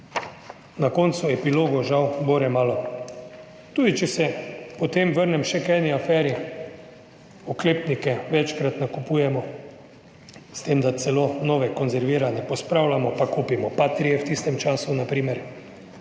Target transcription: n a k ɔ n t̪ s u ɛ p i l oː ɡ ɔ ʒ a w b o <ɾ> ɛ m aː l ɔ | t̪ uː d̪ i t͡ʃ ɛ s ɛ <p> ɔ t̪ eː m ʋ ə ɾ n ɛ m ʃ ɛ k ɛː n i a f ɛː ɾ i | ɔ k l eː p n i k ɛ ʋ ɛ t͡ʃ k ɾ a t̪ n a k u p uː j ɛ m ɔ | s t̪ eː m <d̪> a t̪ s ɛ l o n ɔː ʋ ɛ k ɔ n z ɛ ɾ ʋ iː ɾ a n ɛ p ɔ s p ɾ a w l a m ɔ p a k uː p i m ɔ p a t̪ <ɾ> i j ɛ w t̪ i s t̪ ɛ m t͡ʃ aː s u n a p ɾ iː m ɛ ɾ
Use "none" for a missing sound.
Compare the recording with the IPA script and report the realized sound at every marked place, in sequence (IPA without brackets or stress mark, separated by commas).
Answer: ɾ, p, d̪, ɾ